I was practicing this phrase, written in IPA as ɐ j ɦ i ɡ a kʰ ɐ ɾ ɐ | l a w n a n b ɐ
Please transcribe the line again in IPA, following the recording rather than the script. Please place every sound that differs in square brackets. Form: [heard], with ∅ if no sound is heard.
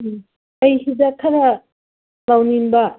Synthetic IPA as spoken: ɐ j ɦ i [d] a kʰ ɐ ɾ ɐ | l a w n [i] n b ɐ